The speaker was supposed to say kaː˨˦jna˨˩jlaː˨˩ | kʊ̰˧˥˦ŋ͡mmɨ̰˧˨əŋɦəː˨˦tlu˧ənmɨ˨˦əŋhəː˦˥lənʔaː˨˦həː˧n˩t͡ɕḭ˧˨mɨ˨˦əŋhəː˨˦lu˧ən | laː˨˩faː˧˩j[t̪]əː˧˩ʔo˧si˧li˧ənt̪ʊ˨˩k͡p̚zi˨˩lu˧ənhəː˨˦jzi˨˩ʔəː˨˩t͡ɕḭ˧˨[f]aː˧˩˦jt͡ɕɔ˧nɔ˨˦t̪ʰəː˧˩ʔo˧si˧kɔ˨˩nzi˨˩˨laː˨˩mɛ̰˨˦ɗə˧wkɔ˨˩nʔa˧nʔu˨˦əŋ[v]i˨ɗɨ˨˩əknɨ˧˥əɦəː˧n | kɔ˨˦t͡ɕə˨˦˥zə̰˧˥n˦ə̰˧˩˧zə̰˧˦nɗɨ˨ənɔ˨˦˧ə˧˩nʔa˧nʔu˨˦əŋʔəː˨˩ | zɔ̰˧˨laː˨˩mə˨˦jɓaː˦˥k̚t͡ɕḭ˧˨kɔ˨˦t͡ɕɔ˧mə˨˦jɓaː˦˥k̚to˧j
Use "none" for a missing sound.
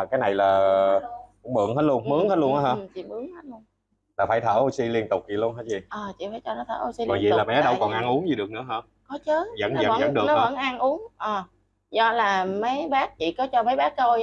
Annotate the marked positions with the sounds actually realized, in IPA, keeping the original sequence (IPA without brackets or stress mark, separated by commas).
t̪ʰ, f, z